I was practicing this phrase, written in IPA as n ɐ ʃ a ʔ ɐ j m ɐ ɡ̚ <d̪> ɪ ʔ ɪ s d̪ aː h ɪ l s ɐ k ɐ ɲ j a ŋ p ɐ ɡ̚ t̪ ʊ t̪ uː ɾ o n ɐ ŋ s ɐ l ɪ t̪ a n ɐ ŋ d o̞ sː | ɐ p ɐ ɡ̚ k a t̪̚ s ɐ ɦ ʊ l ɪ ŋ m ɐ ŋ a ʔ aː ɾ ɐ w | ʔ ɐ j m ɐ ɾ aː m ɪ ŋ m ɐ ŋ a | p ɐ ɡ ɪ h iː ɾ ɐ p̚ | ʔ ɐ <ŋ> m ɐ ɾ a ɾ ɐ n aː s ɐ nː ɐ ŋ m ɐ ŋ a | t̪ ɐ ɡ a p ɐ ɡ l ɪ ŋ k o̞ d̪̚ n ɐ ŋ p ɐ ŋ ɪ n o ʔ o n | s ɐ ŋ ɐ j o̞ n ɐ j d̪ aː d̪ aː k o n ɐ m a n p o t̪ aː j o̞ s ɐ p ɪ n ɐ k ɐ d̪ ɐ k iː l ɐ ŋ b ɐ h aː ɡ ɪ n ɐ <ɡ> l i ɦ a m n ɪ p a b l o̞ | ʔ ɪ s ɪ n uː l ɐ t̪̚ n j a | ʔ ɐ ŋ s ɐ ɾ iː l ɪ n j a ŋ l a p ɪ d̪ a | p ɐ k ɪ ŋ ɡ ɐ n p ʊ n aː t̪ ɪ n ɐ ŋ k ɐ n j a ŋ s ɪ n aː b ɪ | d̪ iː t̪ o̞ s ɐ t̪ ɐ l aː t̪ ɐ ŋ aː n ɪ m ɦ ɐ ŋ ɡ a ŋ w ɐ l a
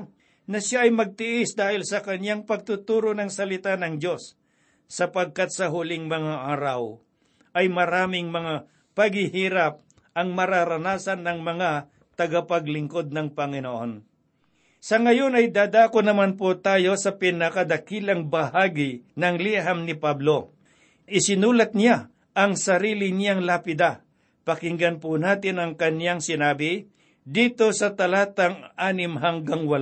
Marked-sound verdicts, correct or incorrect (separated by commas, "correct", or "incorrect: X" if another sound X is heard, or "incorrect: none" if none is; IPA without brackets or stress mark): incorrect: t̪, correct, incorrect: ŋ